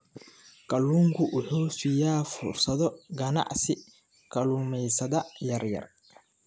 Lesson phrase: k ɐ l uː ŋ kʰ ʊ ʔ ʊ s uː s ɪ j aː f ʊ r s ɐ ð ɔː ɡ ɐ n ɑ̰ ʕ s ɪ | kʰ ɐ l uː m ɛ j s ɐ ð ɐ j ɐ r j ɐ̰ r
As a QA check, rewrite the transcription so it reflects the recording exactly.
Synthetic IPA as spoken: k ɐ l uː ŋ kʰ ʊ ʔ ʊ ħ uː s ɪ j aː f ʊ r s ɐ ð ɔ ɡ ɐ n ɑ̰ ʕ s ɪ | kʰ ɐ l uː m ɛ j s ɐ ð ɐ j ɐ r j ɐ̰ r